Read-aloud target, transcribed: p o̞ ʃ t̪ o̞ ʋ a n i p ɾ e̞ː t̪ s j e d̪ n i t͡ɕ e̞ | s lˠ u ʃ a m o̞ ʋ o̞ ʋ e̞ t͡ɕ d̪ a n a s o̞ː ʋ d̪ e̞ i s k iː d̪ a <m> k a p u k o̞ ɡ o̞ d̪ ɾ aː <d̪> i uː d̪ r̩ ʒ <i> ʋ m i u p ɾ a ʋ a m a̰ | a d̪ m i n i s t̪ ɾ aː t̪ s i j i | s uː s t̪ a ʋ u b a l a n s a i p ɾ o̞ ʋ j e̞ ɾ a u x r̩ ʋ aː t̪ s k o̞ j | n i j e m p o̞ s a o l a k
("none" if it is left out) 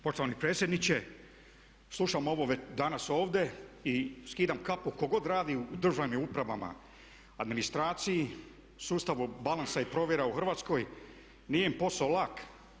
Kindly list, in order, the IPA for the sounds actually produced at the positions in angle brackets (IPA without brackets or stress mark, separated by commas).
m, d̪, a